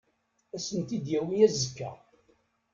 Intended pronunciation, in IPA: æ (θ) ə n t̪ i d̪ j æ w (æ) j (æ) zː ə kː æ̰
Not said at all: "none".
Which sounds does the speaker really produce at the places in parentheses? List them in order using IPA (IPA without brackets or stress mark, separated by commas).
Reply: s, i, æ